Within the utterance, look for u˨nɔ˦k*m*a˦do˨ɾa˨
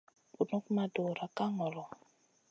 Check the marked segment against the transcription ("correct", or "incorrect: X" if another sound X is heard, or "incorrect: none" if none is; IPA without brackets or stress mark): correct